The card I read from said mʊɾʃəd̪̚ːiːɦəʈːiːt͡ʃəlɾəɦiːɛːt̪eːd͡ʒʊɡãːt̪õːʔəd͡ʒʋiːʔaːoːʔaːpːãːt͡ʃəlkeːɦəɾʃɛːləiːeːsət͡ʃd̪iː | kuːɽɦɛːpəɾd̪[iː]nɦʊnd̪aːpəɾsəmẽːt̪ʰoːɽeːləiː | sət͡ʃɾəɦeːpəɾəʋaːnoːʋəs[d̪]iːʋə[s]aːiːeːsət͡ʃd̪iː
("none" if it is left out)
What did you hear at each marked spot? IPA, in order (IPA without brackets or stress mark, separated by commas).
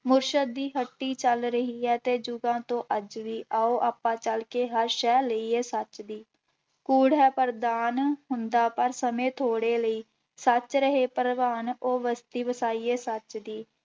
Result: aː, t̪, s